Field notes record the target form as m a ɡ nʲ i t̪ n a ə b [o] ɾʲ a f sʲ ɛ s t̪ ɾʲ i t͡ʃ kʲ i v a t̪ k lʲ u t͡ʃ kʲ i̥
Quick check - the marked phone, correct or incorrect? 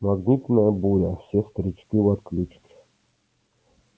incorrect